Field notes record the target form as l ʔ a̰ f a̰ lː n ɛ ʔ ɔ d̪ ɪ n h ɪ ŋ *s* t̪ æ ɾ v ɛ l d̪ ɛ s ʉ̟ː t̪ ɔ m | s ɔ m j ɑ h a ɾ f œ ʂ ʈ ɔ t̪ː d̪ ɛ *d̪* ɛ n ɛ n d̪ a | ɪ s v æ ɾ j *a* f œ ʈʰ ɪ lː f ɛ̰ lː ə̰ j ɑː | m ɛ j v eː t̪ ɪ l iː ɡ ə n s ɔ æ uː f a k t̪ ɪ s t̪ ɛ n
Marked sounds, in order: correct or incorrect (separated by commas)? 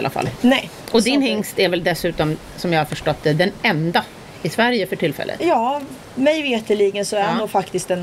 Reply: correct, correct, incorrect